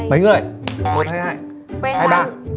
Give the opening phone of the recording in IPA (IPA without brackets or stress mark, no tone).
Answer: m